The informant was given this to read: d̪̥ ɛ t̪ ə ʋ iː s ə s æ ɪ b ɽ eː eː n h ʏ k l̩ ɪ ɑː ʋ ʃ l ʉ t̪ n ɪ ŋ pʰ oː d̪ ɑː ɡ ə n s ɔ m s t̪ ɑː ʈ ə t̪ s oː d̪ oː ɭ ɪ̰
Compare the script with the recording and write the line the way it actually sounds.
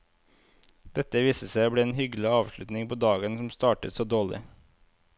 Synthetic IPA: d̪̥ ɛ t̪ ə ʋ iː s ə s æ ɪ b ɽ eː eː n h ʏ ɡ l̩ ɪ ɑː ʋ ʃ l ʉ t̪ n ɪ ŋ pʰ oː d̪ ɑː ɡ ə n s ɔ m s t̪ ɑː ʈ ə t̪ s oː d̪ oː ɭ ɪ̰